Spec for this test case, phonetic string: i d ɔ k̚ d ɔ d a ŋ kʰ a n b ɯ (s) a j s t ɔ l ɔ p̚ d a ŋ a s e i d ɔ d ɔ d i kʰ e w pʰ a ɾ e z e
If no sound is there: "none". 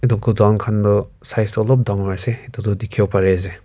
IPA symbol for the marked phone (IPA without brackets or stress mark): s